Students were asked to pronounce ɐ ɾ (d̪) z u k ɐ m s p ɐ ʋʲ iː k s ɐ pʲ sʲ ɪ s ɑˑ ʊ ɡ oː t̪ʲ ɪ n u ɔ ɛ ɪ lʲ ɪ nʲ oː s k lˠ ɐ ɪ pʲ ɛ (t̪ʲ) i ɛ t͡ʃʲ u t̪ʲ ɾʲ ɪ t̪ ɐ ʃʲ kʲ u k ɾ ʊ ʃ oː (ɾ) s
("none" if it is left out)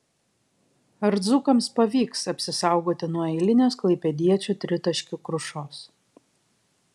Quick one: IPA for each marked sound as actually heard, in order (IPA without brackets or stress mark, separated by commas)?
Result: d̪, d̪ʲ, none